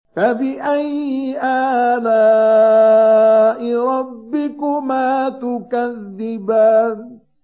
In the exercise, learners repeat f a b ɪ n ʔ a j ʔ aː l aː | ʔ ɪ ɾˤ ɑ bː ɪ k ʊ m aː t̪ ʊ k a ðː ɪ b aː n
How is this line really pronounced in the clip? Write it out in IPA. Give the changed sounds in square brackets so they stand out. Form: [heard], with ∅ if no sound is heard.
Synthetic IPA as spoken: f a b ɪ [∅] ʔ a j ʔ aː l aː | ʔ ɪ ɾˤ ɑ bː ɪ k ʊ m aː t̪ ʊ k a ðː ɪ b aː n